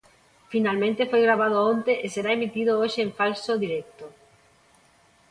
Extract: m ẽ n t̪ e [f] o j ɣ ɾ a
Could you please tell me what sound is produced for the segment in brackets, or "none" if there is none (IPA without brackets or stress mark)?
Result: f